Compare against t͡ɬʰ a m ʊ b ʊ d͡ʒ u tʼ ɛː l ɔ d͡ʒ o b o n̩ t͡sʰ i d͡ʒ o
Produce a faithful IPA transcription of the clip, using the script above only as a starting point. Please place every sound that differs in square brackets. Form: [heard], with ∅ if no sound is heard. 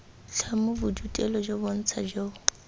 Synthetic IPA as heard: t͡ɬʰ a m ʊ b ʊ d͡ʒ u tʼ [ɛ] l ɔ d͡ʒ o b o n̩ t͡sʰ [a] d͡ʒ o